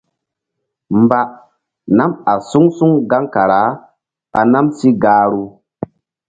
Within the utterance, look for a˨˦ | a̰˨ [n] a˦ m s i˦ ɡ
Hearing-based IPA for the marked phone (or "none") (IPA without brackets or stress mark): n